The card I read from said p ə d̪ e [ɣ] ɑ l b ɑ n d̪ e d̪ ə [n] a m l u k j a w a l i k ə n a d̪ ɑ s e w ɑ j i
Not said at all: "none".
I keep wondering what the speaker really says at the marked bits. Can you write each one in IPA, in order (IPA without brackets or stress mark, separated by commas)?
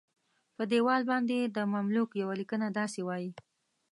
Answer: w, m